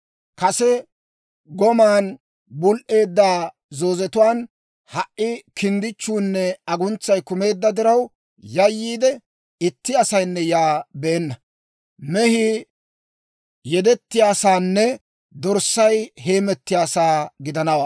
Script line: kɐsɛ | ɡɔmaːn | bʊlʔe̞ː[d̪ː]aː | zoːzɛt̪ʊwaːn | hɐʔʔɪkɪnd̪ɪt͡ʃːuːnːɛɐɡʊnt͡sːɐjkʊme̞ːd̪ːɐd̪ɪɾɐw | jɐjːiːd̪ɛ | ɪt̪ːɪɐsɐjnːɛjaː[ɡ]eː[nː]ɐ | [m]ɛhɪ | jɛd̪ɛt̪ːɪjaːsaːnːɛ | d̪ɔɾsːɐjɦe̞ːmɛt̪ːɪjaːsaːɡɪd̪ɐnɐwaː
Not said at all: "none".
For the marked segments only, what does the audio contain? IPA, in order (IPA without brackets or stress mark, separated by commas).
d̪ː, b, nː, m